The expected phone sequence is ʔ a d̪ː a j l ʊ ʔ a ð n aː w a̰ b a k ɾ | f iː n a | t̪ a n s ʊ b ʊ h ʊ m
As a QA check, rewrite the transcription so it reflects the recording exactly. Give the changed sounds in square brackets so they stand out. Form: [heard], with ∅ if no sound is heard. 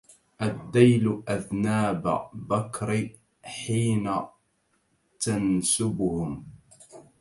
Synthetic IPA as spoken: ʔ a d̪ː a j l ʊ ʔ a ð n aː [b] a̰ b a k ɾ | [ħ] iː n a | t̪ a n s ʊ b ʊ h ʊ m